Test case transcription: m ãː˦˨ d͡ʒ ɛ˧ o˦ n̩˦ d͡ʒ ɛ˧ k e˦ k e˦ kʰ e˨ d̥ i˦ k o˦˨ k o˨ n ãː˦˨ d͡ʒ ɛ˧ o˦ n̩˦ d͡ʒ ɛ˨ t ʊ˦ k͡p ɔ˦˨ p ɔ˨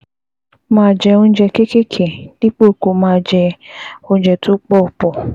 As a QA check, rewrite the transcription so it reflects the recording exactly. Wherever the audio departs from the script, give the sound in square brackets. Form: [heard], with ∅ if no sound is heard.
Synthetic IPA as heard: m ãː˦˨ d͡ʒ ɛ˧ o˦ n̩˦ d͡ʒ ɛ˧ k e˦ k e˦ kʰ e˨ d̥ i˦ [k͡p] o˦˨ k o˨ [m] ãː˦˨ d͡ʒ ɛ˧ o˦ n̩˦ d͡ʒ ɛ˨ t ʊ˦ k͡p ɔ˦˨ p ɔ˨